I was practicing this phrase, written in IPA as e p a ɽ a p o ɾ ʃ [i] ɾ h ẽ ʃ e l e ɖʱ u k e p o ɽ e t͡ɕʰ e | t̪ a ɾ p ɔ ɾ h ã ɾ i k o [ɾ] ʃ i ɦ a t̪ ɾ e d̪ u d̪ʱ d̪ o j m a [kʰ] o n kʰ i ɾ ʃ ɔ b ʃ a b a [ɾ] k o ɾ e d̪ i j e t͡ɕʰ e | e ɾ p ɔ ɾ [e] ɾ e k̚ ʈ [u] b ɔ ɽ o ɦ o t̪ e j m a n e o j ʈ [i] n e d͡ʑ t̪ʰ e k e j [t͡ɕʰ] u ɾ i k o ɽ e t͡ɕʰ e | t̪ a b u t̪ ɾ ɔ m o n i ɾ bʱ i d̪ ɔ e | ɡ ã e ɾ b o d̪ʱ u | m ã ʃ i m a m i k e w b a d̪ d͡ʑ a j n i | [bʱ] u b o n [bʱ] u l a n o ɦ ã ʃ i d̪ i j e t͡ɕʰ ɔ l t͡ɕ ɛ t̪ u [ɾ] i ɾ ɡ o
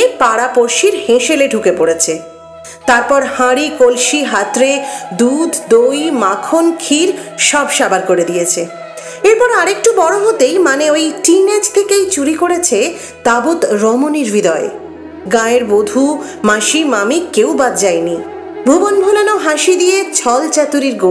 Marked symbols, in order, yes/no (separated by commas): yes, no, yes, yes, no, yes, yes, no, yes, yes, yes